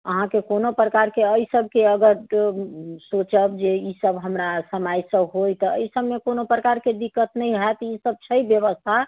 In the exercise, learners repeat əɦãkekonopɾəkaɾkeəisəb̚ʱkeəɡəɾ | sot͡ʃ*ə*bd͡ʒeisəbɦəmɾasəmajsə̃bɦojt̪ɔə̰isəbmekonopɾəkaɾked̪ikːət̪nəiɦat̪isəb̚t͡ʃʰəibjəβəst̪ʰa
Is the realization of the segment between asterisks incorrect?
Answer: no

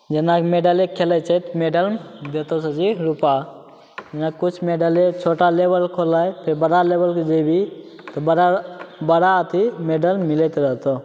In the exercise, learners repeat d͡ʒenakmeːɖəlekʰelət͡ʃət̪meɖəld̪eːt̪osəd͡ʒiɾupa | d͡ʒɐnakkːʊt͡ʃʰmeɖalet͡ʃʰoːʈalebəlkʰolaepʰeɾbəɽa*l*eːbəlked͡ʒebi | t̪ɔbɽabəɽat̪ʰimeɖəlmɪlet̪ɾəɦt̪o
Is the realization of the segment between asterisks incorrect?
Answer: no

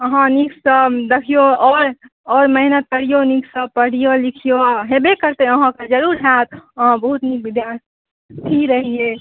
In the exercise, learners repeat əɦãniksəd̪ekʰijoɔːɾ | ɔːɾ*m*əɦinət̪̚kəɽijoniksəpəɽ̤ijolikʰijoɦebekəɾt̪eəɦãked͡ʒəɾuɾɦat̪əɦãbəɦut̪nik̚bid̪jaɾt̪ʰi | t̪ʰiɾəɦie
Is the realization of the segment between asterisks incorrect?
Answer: no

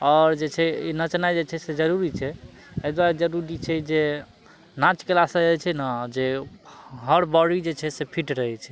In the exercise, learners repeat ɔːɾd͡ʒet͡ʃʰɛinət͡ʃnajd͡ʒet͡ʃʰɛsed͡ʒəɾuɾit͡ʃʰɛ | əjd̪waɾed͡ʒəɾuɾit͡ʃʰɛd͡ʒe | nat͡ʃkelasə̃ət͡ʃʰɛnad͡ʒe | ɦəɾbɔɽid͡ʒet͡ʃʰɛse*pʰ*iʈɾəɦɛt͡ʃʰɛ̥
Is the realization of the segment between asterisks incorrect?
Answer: no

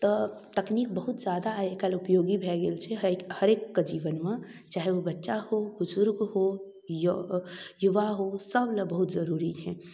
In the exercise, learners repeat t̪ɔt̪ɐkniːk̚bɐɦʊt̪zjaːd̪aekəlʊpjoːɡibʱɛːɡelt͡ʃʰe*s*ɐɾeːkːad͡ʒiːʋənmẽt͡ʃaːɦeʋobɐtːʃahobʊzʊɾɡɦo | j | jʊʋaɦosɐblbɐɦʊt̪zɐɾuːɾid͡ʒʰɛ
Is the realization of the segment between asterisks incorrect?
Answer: yes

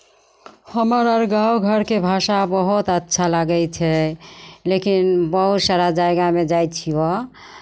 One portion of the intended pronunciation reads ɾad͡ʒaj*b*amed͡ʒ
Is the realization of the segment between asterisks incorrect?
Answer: yes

